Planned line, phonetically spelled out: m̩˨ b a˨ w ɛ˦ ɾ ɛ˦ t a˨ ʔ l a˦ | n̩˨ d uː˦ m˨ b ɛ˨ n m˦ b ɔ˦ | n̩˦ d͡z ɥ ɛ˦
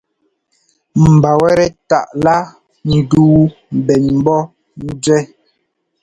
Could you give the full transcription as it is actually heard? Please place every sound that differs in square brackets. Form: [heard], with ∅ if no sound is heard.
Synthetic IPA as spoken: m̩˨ b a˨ w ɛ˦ ɾ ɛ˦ t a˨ ʔ l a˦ | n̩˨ d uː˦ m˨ b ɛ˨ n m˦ b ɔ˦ | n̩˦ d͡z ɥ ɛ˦